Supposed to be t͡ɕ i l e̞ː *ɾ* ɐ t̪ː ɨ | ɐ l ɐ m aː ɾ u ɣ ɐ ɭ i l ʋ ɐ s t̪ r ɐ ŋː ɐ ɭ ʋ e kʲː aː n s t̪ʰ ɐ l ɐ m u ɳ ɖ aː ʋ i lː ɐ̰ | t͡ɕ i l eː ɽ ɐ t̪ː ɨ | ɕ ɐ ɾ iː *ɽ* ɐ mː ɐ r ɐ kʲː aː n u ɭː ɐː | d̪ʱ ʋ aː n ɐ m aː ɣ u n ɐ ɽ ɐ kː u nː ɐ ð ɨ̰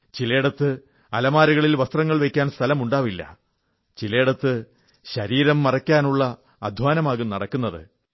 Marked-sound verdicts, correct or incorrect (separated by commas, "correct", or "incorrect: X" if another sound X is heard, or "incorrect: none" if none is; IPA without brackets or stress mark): incorrect: ɽ, incorrect: ɾ